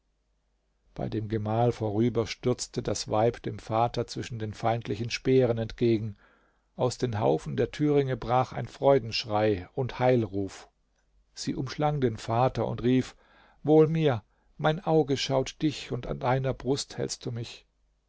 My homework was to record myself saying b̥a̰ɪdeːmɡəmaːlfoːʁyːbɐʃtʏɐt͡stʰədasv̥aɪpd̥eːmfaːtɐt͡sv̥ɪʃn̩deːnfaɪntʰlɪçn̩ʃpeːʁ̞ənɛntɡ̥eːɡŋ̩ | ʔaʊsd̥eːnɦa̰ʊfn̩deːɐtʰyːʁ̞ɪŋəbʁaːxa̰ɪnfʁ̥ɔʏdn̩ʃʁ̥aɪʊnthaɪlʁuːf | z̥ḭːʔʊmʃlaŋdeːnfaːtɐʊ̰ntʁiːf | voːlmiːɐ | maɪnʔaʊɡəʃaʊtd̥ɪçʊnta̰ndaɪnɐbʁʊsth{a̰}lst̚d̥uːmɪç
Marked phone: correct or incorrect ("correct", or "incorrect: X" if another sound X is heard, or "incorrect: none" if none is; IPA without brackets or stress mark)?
incorrect: ɛ̰